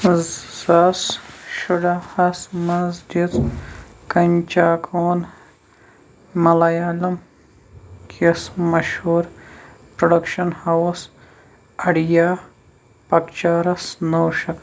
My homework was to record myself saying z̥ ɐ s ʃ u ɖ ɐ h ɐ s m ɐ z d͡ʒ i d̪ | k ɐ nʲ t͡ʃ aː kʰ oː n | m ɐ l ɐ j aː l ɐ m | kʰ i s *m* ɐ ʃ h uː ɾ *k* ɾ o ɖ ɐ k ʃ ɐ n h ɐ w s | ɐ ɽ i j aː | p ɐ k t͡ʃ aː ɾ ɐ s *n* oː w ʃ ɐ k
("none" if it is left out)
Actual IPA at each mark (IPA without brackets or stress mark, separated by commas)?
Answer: m, p, n